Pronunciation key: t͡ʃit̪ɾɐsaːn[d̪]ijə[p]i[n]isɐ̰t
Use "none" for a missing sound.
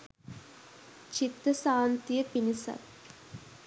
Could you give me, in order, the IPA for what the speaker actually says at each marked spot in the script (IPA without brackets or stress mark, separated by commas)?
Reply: t̪, p, n